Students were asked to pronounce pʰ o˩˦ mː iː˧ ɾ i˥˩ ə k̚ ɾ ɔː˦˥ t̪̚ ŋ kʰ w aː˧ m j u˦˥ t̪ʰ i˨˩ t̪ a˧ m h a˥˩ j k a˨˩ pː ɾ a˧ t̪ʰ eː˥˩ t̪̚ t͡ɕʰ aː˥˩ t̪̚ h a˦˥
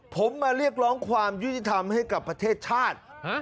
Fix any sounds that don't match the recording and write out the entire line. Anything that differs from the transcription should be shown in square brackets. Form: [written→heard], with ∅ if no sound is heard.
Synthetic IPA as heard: pʰ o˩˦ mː [iː˧→aː˧] ɾ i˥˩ ə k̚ ɾ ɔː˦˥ [t̪̚→∅] ŋ kʰ w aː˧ m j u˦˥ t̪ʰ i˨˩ [t̪→t̪ʰ] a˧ m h a˥˩ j k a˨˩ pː ɾ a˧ t̪ʰ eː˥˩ t̪̚ t͡ɕʰ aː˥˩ t̪̚ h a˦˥